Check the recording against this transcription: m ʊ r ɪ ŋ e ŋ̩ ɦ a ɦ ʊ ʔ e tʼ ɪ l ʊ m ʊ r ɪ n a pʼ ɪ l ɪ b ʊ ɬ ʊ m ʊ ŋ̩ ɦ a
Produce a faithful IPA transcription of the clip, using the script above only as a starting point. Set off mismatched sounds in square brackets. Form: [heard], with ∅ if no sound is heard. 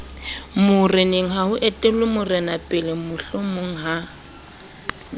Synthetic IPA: m ʊ r ɪ [n] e ŋ̩ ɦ a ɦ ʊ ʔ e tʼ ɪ l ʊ m ʊ r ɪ n a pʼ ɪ l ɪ [m] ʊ ɬ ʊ m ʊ ŋ̩ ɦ a